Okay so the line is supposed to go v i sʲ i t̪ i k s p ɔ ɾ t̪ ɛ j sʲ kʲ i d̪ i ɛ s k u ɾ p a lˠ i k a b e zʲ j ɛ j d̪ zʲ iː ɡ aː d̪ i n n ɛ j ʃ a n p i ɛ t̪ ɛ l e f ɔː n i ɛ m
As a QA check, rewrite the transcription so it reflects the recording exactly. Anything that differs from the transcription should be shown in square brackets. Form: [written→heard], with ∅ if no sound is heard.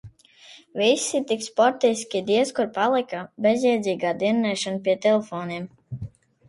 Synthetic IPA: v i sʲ i t̪ i k s p ɔ ɾ t̪ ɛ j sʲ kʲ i d̪ i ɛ s k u ɾ p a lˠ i k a b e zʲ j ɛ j d̪ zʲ iː ɡ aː d̪ i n n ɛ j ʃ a n p i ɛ t̪ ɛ l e f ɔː n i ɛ m